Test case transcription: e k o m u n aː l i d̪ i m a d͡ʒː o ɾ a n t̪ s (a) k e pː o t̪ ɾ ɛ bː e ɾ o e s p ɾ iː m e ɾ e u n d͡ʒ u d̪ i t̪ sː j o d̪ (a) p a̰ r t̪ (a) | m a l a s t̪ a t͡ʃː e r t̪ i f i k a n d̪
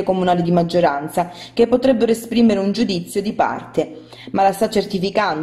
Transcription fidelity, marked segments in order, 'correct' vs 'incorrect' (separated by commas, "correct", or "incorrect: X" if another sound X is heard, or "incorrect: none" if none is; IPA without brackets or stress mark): correct, incorrect: i, incorrect: e